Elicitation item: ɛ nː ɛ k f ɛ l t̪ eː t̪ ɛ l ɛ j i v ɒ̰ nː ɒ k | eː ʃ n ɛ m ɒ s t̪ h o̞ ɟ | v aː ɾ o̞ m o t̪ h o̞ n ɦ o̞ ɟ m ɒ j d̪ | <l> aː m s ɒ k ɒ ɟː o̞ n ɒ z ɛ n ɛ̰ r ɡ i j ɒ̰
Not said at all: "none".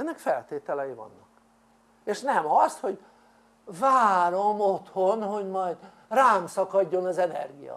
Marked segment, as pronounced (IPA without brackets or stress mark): r